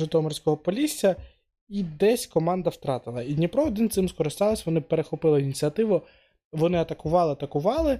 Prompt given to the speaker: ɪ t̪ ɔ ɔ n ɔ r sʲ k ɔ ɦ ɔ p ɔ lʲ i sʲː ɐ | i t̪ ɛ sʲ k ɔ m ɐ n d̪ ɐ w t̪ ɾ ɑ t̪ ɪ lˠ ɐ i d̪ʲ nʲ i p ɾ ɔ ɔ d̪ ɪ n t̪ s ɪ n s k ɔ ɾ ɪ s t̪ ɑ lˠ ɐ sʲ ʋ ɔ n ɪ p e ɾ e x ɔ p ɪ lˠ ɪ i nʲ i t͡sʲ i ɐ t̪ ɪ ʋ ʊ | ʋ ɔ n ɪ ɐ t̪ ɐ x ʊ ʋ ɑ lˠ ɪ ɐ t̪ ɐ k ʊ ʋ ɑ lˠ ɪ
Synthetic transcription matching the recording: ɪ t̪ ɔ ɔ m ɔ r sʲ k ɔ ɦ ɔ p ɔ lʲ i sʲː ɐ | i d̪ ɛ sʲ k ɔ m ɑ n d̪ ɐ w t̪ ɾ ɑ t̪ ɪ lˠ ɐ i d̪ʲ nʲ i p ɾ ɔ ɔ d̪ ɪ n t̪ s ɪ m s k ɔ ɾ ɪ s t̪ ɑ lˠ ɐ sʲ ʋ ɔ n ɪ p e ɾ e x ɔ p ɪ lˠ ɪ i nʲ i t͡sʲ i ɐ t̪ ɪ ʋ ʊ | ʋ ɔ n ɪ ɐ t̪ ɐ k ʊ ʋ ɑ lˠ ɪ ɐ t̪ ɐ k ʊ ʋ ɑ lˠ ɪ